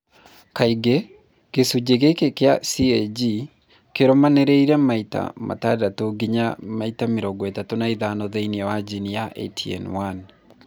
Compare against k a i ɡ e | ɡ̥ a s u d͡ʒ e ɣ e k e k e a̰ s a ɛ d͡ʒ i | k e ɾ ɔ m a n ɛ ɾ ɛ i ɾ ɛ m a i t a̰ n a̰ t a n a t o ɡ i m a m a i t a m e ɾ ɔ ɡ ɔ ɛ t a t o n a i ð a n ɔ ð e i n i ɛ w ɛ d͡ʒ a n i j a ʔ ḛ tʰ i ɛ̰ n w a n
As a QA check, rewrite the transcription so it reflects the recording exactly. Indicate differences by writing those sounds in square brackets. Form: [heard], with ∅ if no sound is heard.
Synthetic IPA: k a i ɡ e | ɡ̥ [e] s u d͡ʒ e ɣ e k e k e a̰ s [i] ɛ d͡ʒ i | k e ɾ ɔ m a n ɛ ɾ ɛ i ɾ ɛ m a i t a̰ [m] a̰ t a [d] a t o ɡ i [ɲ] a m a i t a m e ɾ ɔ ɡ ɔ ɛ t a t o n a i ð a n ɔ ð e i n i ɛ w [a] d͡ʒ [i] n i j a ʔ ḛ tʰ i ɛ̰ n w a n